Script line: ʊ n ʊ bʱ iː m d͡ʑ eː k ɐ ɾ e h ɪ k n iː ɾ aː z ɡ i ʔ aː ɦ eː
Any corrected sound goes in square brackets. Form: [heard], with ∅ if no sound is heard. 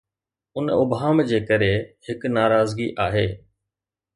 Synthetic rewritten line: ʊ n ʊ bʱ [aː] m d͡ʑ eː k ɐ ɾ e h ɪ k n [aː] ɾ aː z ɡ i ʔ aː ɦ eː